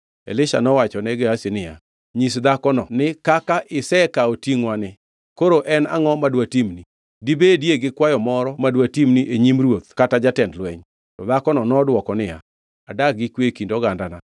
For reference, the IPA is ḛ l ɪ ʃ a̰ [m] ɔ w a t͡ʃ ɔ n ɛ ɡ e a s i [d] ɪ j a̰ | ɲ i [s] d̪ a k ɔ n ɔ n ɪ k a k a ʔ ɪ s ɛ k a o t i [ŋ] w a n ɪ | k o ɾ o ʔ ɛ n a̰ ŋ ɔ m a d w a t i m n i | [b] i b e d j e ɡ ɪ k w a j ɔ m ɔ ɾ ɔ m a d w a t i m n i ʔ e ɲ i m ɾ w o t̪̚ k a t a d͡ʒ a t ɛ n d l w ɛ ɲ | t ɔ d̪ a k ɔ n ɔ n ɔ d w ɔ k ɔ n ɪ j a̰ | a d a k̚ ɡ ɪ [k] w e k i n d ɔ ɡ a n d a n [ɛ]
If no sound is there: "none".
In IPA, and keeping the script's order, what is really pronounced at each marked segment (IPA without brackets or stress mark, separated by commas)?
n, n, s, ŋ, d, k, a